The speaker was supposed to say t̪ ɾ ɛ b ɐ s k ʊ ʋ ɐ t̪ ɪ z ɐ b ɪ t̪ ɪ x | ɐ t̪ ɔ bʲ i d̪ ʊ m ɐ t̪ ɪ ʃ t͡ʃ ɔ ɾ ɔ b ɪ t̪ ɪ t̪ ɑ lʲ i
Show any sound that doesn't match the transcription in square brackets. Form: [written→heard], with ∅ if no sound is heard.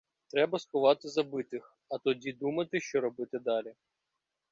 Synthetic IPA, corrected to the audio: t̪ ɾ ɛ b ɐ s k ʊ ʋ [ɐ→ɑ] t̪ ɪ z ɐ b ɪ t̪ ɪ x | ɐ t̪ ɔ [bʲ→dʲ] i d̪ [ʊ→u] m ɐ t̪ ɪ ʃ t͡ʃ ɔ ɾ ɔ b ɪ t̪ ɪ [t̪→d̪] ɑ lʲ i